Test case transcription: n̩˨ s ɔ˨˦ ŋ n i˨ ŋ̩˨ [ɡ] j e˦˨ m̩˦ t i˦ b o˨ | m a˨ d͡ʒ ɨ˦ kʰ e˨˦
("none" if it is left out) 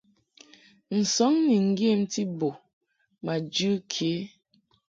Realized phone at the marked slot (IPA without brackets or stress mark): ɡ